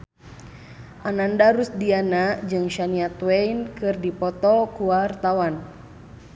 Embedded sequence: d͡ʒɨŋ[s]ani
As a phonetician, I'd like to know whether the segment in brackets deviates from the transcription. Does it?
yes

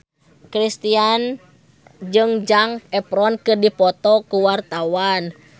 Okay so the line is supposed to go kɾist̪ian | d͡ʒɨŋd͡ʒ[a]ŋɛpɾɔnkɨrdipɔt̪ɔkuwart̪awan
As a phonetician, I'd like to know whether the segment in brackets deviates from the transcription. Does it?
no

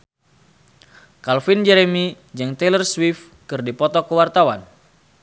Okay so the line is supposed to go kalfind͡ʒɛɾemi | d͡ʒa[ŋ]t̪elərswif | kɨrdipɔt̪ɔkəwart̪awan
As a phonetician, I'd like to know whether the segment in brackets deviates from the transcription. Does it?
no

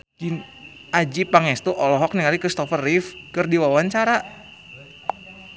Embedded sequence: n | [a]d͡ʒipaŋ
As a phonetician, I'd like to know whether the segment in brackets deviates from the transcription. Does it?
no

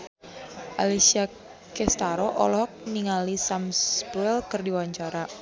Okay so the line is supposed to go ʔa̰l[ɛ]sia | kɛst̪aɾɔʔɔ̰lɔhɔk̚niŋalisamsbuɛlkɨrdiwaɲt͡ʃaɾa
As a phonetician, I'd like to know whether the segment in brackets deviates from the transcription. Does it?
yes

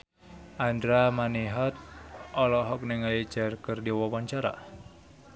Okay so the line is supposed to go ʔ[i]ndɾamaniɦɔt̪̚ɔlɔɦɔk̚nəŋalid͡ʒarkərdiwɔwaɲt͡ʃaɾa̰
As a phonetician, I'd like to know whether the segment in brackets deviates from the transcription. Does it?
yes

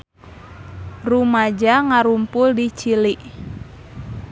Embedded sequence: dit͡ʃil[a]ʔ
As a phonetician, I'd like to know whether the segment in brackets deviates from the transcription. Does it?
yes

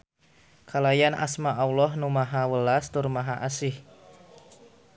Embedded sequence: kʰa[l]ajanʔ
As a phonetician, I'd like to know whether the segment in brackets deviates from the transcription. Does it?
no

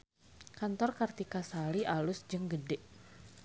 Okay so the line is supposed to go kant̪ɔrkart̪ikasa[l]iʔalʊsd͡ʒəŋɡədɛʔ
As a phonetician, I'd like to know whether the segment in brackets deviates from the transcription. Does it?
no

